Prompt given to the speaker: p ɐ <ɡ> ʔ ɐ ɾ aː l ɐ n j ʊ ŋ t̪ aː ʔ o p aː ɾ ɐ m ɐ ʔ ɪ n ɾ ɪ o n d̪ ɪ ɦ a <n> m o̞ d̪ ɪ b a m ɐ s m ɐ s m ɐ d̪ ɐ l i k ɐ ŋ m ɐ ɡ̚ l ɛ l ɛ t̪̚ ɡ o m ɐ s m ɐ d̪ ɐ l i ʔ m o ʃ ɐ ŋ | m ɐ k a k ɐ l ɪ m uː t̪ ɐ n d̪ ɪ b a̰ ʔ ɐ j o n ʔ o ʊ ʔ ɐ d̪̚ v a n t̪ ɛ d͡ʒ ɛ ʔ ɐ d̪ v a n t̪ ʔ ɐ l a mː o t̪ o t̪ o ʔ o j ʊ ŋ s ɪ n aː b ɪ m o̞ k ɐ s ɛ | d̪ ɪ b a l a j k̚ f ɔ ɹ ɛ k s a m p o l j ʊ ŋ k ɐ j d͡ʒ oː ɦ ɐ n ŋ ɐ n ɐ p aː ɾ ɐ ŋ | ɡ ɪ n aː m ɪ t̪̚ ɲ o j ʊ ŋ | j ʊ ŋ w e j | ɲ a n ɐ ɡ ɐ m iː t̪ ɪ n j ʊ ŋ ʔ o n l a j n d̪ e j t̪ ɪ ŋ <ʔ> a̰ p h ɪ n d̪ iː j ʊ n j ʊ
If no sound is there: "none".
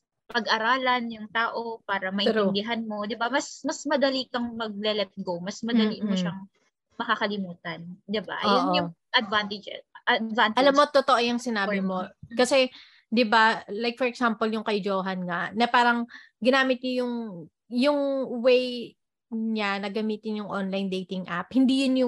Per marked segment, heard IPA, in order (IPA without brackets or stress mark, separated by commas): ɡ, n, ʔ